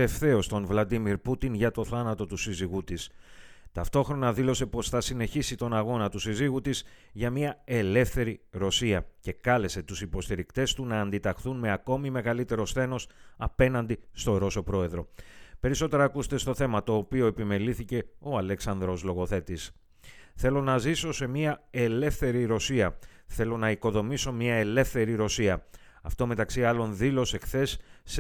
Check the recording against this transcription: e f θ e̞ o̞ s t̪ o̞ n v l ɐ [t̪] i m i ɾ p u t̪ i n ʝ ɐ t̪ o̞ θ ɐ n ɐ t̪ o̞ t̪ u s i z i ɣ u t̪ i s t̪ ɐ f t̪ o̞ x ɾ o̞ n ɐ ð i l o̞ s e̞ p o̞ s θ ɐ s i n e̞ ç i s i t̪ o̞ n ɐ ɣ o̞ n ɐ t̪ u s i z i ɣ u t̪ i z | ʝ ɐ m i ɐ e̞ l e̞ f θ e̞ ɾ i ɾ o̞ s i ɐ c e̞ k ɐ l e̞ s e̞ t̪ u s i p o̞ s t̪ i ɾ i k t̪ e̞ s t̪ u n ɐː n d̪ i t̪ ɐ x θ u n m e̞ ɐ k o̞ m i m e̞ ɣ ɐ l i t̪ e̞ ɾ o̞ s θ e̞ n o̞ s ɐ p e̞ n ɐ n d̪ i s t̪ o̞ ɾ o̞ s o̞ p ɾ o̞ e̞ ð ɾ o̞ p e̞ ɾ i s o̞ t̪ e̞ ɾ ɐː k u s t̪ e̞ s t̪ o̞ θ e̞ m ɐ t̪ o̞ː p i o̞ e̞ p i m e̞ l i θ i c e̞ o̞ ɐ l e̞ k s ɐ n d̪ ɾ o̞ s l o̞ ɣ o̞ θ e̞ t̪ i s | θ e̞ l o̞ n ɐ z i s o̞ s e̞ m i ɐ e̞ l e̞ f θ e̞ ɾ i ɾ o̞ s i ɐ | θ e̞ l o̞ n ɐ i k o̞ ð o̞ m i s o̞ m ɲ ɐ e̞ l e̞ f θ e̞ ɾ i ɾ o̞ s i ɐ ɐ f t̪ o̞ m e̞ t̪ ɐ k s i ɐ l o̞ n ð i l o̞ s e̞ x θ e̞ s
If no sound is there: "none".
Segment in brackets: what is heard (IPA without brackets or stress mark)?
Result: d̪